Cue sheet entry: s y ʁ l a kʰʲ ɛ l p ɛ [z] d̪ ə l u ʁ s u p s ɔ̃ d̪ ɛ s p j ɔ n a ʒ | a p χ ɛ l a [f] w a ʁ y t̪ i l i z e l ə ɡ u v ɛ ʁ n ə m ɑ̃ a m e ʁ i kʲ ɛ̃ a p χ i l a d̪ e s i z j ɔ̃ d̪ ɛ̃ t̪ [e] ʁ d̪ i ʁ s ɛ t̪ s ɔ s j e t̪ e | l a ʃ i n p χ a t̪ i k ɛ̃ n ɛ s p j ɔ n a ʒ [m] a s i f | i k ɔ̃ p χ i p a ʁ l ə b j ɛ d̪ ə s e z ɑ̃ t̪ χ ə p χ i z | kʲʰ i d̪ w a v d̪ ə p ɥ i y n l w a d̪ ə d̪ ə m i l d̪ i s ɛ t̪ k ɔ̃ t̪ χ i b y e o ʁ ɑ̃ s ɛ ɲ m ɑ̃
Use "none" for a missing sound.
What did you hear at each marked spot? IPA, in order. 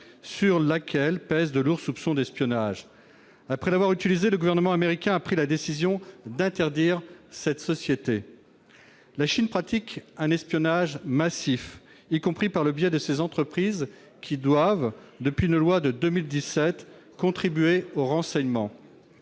z, v, ɛ, m

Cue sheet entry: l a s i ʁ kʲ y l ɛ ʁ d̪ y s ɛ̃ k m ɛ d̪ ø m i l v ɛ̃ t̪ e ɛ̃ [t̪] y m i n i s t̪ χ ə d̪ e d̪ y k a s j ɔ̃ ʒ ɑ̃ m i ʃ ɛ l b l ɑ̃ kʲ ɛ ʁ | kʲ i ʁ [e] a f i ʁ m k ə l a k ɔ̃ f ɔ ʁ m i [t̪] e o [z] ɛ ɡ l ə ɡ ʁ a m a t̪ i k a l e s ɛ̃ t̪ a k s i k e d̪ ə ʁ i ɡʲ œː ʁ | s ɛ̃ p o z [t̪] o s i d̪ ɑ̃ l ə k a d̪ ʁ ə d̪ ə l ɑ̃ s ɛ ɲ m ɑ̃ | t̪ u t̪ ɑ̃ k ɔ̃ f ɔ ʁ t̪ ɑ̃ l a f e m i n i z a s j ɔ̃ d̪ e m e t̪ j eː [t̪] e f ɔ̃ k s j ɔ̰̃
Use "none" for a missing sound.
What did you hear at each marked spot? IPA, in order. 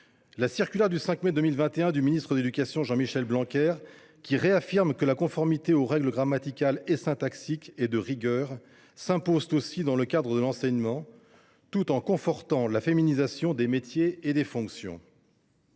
d̪, e, t̪, ʁ, t̪, d̪

